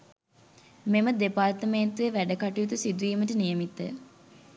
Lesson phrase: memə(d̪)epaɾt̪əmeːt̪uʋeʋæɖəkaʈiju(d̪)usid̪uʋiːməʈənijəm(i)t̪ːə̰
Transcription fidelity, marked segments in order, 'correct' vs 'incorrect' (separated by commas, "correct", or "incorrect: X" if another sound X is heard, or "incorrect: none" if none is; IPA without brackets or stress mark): correct, incorrect: t̪, correct